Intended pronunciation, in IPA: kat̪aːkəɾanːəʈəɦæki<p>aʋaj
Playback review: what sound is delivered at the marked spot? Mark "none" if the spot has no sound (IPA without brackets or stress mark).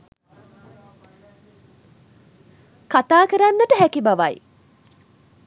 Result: b